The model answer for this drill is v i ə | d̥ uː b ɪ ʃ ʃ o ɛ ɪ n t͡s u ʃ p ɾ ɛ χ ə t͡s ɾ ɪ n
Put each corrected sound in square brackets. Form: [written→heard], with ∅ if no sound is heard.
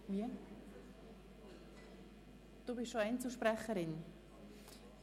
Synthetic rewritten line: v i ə | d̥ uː b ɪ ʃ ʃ o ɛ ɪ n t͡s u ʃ p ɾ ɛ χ ə [t͡s→∅] ɾ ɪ n